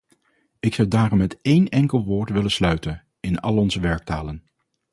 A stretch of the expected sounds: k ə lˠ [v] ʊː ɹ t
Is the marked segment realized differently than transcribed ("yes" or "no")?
yes